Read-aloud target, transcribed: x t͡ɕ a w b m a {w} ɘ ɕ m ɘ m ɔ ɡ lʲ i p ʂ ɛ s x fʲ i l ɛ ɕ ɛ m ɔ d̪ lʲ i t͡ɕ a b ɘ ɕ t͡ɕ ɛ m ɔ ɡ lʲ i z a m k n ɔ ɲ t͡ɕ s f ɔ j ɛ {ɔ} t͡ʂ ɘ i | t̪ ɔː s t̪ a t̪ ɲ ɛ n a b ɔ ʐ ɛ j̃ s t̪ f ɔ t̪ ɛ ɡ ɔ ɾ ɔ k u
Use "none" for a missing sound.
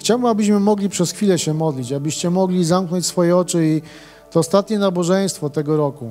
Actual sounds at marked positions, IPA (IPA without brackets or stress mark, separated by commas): b, ɔ